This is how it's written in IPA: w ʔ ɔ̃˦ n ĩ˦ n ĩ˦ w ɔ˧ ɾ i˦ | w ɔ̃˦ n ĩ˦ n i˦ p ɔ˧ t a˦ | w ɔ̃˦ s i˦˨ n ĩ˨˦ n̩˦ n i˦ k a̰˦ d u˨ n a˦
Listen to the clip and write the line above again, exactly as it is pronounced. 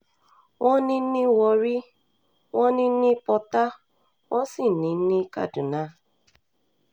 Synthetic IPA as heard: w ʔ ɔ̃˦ n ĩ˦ n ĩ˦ w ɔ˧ ɾ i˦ | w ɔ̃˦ n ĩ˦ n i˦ p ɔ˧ t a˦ | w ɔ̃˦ s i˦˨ n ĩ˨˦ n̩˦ n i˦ k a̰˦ d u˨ n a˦